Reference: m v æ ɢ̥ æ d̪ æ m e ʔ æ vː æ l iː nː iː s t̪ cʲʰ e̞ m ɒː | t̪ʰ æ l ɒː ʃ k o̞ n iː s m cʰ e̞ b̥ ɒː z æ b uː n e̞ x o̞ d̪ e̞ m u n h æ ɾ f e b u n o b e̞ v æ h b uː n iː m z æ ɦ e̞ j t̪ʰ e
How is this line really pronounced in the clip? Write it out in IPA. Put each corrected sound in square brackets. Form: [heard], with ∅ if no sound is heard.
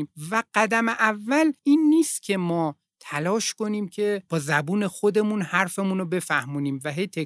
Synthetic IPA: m v æ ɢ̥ æ d̪ æ m e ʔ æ vː æ l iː nː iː s t̪ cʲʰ e̞ m ɒː | t̪ʰ æ l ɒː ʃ k o̞ n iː [∅] m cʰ e̞ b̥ ɒː z æ b uː n e̞ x o̞ d̪ e̞ m u n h æ ɾ f e [m] u n o b e̞ [f] æ h [m] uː n iː m [v] æ ɦ e̞ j t̪ʰ e